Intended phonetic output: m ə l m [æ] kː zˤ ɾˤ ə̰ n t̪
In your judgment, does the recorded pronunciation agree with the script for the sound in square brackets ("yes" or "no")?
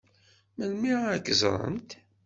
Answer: no